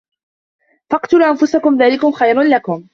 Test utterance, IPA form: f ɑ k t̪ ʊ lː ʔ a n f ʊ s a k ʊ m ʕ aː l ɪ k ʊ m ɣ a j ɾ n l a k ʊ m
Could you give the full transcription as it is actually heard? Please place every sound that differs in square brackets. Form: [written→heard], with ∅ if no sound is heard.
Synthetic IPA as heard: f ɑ [k→q] t̪ ʊ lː ʔ a n f ʊ s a k ʊ m [ʕ→ð] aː l ɪ k ʊ m [ɣ→x] a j ɾ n l a k ʊ m